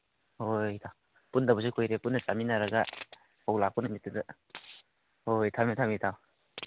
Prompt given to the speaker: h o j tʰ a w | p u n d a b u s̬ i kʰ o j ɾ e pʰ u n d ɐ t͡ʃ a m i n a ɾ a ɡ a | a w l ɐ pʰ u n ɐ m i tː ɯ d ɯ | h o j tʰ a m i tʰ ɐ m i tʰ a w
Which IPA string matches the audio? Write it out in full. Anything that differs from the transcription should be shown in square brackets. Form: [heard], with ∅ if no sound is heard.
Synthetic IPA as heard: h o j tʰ a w | p u n d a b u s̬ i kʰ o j ɾ e [p] u n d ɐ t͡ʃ a m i n a ɾ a ɡ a | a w l [a] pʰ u n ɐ m i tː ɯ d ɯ | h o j tʰ a m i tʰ [a] m i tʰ a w